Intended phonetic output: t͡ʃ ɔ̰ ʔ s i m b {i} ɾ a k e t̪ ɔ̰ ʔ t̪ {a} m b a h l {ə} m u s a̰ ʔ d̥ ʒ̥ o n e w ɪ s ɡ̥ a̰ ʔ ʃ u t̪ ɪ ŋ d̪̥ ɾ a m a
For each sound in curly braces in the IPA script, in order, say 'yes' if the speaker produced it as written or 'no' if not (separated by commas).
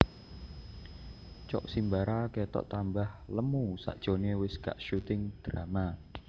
no, yes, yes